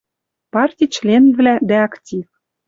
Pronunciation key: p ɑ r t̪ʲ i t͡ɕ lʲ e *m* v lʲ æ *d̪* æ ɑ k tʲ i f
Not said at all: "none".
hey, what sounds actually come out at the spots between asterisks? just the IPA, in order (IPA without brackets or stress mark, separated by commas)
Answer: n, d̪